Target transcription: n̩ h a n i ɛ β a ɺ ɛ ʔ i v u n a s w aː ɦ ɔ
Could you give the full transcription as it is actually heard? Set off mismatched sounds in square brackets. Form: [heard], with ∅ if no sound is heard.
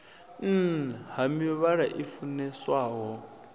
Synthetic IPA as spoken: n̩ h a [m] i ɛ β a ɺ [a] ʔ i [f] u n [ɛ] s w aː ɦ ɔ